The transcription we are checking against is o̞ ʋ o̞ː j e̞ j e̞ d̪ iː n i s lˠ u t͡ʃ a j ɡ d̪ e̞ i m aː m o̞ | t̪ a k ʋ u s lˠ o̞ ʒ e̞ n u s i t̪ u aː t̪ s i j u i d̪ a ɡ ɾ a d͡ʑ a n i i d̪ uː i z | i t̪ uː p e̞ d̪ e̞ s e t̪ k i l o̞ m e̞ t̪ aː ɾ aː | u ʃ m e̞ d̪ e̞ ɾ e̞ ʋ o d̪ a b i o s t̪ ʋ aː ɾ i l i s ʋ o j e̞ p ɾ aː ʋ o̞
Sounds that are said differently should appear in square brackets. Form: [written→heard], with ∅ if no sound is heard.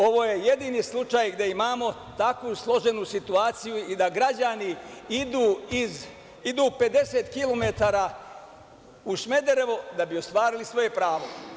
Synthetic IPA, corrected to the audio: o̞ ʋ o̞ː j e̞ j e̞ d̪ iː n i s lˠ u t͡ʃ a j ɡ d̪ e̞ i m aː m o̞ | t̪ a k ʋ u s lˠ o̞ ʒ e̞ n u s i t̪ u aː t̪ s i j u i d̪ a ɡ ɾ a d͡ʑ a n i i d̪ uː i z | i [t̪→d̪] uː p e̞ d̪ e̞ s e t̪ k i l o̞ m e̞ t̪ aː ɾ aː | u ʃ m e̞ d̪ e̞ ɾ e̞ ʋ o d̪ a b i o s t̪ ʋ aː ɾ i l i s ʋ o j e̞ p ɾ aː ʋ o̞